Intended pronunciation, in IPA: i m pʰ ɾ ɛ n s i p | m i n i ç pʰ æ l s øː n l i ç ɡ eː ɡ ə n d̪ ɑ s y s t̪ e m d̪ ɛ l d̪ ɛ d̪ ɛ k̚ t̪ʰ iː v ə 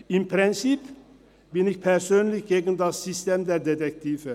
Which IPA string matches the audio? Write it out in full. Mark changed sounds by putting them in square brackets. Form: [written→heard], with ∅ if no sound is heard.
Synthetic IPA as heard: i m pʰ ɾ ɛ n s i p | [m→b] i n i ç pʰ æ [l→ɾ] s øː n l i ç ɡ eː ɡ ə n d̪ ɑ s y s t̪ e m d̪ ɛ [l→ɾ] d̪ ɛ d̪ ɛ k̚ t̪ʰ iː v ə